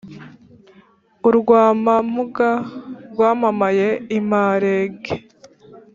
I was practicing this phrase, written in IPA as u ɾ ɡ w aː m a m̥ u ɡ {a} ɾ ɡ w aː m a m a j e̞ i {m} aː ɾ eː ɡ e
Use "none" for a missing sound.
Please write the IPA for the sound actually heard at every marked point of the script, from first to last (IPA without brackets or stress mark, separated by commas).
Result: a, m